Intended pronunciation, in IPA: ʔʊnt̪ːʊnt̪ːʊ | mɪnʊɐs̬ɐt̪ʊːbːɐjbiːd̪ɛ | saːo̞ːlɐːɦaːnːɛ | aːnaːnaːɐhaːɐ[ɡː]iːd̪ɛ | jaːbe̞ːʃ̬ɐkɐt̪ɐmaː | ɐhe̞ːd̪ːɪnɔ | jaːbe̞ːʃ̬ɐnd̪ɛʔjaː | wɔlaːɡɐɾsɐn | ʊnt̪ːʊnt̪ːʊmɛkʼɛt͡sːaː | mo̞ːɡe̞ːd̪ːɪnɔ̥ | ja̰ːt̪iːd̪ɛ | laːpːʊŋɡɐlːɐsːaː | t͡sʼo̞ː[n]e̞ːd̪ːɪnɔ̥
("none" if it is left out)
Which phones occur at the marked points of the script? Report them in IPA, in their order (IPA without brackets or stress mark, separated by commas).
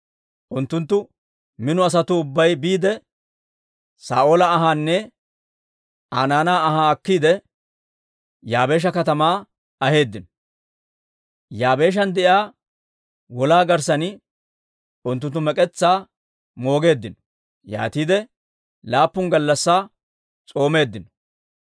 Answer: kː, m